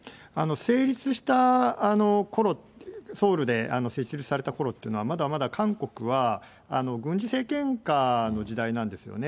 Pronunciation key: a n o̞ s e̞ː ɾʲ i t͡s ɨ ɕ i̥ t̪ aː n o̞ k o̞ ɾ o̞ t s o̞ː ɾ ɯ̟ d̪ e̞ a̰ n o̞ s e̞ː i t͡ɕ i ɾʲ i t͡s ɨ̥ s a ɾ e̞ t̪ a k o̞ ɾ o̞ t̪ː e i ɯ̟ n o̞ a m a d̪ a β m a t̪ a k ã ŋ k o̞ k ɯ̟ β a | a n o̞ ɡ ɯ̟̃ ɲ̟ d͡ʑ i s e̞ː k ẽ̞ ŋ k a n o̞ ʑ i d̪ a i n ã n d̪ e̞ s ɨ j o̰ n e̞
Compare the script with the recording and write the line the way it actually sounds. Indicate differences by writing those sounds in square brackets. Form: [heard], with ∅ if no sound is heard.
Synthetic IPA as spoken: a n o̞ s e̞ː ɾʲ i t͡s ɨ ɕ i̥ t̪ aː n o̞ k o̞ ɾ o̞ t s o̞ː ɾ ɯ̟ d̪ e̞ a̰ n o̞ s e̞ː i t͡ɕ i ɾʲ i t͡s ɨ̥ s a ɾ e̞ t̪ a k o̞ ɾ o̞ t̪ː e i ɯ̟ n o̞ a m a d̪ a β m a [d̪] a k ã ŋ k o̞ k ɯ̟ β a | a n o̞ ɡ ɯ̟̃ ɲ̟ d͡ʑ i s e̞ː k ẽ̞ ŋ k a n o̞ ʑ i d̪ a i n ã n d̪ e̞ s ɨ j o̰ n e̞